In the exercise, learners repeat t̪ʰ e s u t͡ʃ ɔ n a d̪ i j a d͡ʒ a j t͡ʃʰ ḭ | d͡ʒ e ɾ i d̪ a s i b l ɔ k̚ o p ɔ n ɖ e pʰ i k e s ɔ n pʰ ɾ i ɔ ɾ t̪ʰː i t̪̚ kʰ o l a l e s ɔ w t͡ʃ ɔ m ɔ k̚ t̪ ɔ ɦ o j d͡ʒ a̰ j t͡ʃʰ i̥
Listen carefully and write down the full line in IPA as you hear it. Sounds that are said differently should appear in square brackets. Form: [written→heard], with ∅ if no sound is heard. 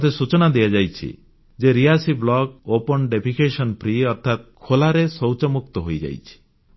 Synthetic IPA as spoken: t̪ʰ e s u t͡ʃ ɔ n a d̪ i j a d͡ʒ a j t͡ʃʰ ḭ | d͡ʒ e ɾ i [d̪→∅] a s i b l ɔ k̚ o p ɔ n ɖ e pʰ i k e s ɔ n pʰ ɾ i ɔ ɾ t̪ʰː [i→a] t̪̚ kʰ o l a [l→ɾ] e s ɔ w t͡ʃ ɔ m [ɔ→u] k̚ t̪ ɔ ɦ o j d͡ʒ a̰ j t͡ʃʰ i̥

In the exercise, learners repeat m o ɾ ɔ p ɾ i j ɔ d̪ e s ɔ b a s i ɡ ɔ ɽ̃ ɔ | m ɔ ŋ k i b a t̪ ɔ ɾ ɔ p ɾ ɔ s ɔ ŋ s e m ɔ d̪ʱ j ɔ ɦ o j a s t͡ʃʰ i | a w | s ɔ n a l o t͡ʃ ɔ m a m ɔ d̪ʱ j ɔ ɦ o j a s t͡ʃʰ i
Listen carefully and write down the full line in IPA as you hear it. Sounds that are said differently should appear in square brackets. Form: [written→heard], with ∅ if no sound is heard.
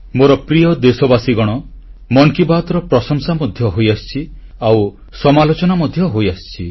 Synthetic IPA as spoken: m o ɾ ɔ p ɾ i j ɔ d̪ e s ɔ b a s i ɡ ɔ ɽ̃ ɔ | m ɔ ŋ k i b a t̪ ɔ ɾ ɔ p ɾ ɔ s ɔ ŋ s [e→a] m ɔ d̪ʱ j ɔ ɦ o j a s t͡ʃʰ i | a w | s ɔ [n→m] a l o t͡ʃ ɔ [m→n] a m ɔ d̪ʱ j ɔ ɦ o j a s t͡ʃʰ i

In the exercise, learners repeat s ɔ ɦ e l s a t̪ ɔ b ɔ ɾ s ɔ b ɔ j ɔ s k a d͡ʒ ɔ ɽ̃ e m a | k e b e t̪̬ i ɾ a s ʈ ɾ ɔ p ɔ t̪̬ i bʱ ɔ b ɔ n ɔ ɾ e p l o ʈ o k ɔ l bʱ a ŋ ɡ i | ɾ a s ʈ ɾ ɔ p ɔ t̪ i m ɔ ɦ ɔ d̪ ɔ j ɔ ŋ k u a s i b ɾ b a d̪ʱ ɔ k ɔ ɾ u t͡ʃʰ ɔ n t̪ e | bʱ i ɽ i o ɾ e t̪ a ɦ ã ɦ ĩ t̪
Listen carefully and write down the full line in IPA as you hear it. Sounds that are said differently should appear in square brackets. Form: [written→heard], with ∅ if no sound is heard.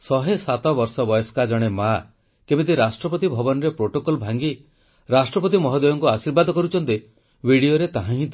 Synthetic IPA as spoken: s ɔ ɦ e [l→∅] s a t̪ ɔ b ɔ ɾ s ɔ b ɔ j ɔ s k a d͡ʒ ɔ ɽ̃ e m a | k e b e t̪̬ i ɾ a s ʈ ɾ ɔ p ɔ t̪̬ i bʱ ɔ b ɔ n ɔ ɾ e p [l→ɾ] o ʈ o k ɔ l bʱ a ŋ ɡ i | ɾ a s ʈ ɾ ɔ p ɔ t̪ i m ɔ ɦ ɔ d̪ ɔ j ɔ ŋ k u a s i [b→∅] ɾ b a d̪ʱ ɔ k ɔ ɾ u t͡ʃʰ ɔ n t̪ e | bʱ i ɽ i o ɾ e t̪ a ɦ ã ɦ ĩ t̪

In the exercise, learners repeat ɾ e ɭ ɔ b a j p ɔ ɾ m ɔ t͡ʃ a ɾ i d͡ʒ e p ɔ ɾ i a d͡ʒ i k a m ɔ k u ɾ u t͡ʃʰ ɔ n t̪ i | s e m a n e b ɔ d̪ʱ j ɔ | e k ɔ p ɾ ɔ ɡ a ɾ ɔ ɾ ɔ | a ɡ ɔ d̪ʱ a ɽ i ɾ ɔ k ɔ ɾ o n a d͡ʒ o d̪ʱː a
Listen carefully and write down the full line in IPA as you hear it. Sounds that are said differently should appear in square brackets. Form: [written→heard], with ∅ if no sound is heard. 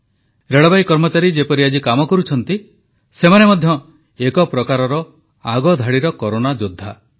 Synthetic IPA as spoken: ɾ e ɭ ɔ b a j [p→k] ɔ ɾ m ɔ t͡ʃ a ɾ i d͡ʒ e p ɔ ɾ i a d͡ʒ i k a m ɔ k [u→ɔ] ɾ u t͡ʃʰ ɔ n t̪ i | s e m a n e [b→m] ɔ d̪ʱ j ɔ | e k ɔ p ɾ ɔ [ɡ→k] a ɾ ɔ ɾ ɔ | a ɡ ɔ d̪ʱ a ɽ i ɾ ɔ k ɔ ɾ o n a d͡ʒ o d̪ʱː a

